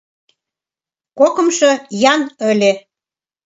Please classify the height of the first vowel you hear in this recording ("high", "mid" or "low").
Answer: mid